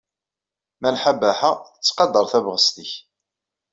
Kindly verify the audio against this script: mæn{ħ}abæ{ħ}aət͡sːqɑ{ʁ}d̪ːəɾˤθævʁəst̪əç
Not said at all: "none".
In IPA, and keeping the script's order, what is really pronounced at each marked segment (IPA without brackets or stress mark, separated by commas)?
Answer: ħ, ħ, none